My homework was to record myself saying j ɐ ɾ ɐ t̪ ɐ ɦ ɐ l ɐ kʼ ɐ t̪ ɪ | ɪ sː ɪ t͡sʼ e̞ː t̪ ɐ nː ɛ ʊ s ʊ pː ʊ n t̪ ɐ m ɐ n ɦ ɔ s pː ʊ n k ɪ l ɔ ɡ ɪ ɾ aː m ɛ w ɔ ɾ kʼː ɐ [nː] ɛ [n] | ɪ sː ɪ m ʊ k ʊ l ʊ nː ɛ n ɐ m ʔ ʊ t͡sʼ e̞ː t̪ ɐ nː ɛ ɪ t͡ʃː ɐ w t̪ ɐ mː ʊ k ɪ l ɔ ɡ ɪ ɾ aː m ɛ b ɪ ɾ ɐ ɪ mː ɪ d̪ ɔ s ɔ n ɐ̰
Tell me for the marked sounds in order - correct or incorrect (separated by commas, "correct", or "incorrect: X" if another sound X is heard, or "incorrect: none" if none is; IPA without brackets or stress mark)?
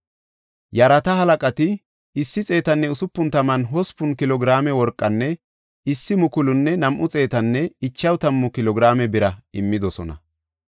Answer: correct, incorrect: none